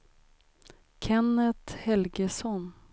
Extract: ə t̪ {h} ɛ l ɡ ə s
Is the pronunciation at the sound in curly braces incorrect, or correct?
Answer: correct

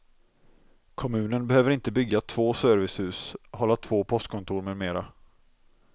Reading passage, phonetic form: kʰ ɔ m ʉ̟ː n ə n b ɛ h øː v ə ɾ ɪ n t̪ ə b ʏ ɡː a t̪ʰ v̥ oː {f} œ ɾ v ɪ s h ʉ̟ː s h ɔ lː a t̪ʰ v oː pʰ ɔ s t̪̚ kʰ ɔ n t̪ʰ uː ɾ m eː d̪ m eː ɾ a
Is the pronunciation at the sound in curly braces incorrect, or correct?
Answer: incorrect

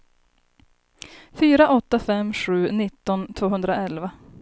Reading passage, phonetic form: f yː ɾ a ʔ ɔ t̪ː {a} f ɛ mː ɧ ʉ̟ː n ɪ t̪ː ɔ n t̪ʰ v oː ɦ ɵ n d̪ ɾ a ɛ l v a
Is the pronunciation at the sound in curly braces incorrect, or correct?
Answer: correct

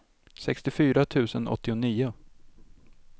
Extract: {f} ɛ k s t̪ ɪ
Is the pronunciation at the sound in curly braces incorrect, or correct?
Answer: incorrect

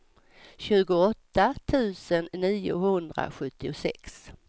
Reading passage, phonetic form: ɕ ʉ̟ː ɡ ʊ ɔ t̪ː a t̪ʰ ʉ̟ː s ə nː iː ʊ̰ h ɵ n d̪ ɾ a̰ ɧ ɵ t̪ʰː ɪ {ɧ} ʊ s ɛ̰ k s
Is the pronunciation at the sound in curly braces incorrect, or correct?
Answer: incorrect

